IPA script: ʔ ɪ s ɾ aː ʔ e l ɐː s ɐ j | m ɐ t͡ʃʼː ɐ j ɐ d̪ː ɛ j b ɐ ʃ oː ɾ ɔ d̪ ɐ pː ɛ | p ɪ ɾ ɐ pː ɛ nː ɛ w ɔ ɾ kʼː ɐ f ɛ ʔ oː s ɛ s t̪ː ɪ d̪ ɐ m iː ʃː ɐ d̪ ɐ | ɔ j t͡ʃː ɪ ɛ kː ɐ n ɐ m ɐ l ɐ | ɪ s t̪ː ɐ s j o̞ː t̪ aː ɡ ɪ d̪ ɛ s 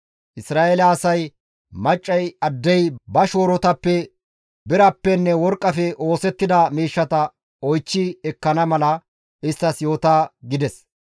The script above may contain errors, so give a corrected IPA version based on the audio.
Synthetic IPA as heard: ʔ ɪ s ɾ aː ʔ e l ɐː s ɐ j | m ɐ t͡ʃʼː ɐ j ɐ d̪ː ɛ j b ɐ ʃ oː ɾ ɔ t̪ ɐ pː ɛ | b ɪ ɾ ɐ pː ɛ nː ɛ w ɔ ɾ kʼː ɐ f ɛ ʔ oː s ɛ t̪ː ɪ d̪ ɐ m iː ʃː ɐ t̪ ɐ | ɔ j t͡ʃː ɪ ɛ kː ɐ n ɐ m ɐ l ɐ | ɪ s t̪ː ɐ s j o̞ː t̪ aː ɡ ɪ d̪ ɛ s